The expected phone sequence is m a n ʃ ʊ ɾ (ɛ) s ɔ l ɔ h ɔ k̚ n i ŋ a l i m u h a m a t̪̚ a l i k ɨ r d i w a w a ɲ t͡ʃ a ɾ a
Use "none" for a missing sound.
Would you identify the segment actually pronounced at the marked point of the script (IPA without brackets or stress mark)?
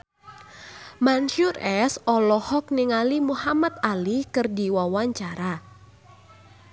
ɛ